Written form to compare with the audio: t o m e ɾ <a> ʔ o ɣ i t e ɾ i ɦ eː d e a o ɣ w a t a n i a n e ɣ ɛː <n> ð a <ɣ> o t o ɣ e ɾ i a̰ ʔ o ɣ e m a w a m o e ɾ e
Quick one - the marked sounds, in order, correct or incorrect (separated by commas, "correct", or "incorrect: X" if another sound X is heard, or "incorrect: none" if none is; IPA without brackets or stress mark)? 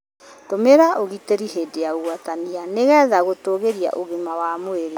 correct, incorrect: none, correct